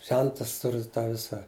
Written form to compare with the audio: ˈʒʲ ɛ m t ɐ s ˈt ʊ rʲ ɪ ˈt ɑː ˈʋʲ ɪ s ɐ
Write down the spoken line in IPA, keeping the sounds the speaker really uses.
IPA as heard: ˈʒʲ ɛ n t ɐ s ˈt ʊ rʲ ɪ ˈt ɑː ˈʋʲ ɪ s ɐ